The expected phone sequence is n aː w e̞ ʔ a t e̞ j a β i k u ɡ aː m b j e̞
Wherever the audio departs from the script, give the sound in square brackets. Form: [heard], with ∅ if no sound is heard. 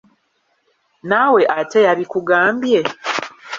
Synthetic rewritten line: n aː w e̞ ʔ a t e̞ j a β i k u ɡ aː m b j e̞